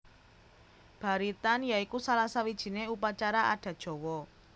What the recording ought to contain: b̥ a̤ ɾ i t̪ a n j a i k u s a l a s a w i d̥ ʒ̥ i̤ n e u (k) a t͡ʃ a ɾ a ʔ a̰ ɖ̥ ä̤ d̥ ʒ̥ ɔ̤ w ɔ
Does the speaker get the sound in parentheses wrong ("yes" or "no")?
yes